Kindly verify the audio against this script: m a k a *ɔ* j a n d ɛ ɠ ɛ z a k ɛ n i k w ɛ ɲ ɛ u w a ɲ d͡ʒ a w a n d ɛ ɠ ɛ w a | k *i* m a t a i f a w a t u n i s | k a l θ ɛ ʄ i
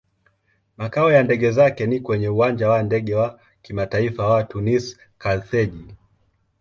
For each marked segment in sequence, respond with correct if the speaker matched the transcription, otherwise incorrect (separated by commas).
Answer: correct, correct